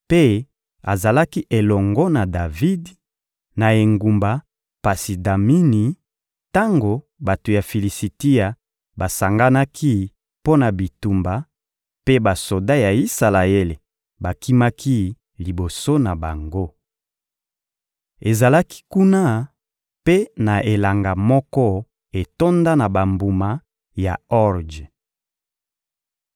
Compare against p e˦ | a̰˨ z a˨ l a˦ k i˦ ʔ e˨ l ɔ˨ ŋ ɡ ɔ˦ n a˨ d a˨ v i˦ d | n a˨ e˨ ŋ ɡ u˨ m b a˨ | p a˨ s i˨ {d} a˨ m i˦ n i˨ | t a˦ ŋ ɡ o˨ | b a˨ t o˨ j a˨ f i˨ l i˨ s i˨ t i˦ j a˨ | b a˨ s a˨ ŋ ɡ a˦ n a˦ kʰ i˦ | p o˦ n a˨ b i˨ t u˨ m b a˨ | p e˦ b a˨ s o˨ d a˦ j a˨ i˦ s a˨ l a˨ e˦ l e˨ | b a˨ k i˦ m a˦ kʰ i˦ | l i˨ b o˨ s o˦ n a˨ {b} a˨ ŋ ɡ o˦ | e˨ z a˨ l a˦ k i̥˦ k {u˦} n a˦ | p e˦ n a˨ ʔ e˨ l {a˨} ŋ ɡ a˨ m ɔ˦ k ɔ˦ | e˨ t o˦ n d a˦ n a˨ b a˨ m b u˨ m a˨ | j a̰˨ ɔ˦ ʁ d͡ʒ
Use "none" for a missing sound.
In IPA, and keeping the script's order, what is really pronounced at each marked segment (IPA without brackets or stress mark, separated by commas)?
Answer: d, b, u˦, a˨